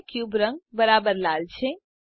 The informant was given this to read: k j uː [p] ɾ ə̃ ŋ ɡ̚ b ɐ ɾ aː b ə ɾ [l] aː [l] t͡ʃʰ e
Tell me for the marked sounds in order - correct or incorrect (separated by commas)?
incorrect, correct, correct